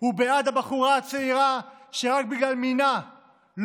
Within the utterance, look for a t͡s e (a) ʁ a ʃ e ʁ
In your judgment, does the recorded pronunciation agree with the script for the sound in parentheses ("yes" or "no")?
no